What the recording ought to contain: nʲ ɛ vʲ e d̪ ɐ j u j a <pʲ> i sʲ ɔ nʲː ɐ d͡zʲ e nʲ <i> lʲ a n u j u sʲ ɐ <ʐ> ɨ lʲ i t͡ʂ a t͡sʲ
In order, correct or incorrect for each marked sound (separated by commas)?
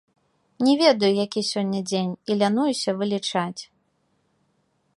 incorrect, correct, incorrect